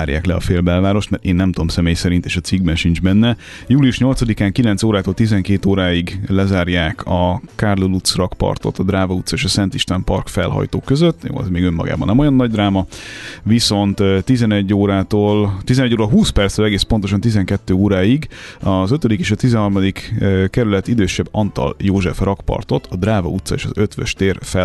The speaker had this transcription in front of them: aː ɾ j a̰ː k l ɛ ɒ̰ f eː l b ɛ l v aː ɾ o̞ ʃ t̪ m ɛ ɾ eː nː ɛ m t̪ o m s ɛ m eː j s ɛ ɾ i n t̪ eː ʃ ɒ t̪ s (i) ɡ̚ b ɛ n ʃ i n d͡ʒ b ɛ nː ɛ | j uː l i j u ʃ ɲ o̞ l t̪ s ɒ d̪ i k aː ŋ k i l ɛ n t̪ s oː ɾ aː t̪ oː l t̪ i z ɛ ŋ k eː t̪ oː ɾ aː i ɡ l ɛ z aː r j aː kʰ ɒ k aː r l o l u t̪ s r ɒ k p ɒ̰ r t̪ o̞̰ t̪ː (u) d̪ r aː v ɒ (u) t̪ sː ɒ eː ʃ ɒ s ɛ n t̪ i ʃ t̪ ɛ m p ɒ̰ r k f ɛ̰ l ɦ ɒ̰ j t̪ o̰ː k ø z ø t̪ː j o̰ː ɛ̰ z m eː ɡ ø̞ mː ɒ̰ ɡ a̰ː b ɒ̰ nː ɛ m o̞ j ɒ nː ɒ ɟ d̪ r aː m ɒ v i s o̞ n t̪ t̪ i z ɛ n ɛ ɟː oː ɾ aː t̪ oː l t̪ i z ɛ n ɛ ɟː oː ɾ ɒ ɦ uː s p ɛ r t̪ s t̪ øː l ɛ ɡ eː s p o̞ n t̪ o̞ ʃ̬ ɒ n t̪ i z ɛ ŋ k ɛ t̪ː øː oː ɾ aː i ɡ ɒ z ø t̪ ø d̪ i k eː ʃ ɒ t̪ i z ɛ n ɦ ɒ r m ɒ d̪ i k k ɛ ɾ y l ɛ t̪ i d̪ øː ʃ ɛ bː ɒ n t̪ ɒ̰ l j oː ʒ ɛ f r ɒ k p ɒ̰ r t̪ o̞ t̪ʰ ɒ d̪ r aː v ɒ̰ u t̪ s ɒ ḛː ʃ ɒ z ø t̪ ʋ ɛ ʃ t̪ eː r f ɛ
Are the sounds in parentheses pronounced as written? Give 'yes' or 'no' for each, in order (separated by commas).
yes, no, yes